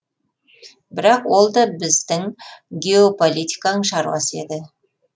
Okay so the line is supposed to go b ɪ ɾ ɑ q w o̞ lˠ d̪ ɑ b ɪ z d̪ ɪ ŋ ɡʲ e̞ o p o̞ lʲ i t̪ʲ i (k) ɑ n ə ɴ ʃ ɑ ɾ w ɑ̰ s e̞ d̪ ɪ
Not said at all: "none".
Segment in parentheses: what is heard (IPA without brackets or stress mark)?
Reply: k